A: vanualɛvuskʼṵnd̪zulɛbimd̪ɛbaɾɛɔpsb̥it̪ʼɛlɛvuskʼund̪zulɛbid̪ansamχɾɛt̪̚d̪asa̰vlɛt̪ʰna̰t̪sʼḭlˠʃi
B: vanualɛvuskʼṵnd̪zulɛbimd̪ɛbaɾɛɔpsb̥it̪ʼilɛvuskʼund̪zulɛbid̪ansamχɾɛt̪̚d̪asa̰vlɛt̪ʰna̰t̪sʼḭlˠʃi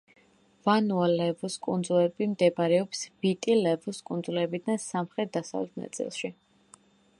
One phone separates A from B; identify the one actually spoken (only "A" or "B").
B